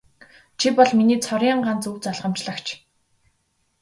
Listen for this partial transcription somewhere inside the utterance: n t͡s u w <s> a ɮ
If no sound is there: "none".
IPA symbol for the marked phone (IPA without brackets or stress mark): t͡s